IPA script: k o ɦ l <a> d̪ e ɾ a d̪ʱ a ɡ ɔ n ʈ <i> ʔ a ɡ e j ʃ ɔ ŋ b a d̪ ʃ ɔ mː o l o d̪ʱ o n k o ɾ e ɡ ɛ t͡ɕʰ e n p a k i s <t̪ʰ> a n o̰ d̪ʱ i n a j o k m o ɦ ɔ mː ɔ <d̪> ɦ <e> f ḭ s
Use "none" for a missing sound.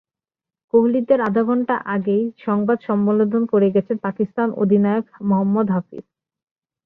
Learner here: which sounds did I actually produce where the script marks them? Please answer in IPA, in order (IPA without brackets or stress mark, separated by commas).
i, a, t̪, d̪, a